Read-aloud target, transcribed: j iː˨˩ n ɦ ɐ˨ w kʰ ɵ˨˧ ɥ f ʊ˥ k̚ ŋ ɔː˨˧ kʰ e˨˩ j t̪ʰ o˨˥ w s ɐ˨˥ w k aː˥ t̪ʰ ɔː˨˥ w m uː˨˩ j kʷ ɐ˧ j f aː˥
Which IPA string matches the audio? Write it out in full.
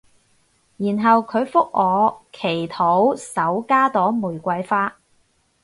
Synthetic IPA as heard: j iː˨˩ n ɦ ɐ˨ w kʰ ɵ˨˧ ɥ f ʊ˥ k̚ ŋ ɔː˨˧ kʰ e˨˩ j t̪ʰ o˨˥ w s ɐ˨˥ w k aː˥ t̪ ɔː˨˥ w m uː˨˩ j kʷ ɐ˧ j f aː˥